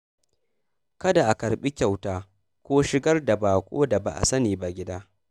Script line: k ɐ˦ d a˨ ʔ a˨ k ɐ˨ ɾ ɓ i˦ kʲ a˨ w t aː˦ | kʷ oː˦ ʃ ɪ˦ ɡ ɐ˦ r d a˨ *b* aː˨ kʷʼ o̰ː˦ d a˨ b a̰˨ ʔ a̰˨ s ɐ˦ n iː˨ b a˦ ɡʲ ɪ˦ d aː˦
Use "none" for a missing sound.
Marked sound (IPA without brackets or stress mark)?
b